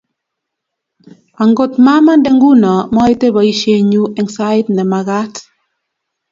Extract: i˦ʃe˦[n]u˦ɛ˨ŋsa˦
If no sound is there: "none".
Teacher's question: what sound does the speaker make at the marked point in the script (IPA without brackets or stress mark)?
ɲ